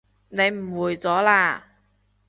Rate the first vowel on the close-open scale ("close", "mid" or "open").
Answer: mid